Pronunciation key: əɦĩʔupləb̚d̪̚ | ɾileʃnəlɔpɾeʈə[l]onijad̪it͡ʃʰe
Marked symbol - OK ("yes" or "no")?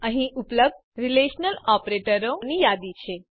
no